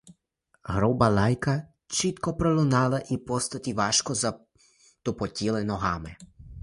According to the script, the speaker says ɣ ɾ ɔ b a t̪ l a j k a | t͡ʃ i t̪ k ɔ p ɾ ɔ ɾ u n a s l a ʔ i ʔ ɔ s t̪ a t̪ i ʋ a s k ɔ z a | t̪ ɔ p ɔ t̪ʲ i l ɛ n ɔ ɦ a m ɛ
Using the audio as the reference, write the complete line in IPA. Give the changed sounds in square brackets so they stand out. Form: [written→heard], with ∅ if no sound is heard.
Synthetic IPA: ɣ ɾ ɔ b a [t̪→∅] l a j k a | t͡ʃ i t̪ k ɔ p ɾ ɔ [ɾ→l] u n a [s→∅] l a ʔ i [ʔ→p] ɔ s t̪ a t̪ i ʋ a [s→ʃ] k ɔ z a | t̪ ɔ p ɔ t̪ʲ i l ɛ n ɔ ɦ a m ɛ